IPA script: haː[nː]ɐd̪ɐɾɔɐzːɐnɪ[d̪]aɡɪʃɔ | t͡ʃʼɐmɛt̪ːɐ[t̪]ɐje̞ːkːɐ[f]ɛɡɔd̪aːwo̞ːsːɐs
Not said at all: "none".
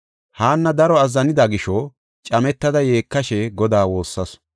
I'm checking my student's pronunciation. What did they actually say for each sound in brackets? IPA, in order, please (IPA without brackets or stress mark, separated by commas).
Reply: nː, d̪, d̪, ʃ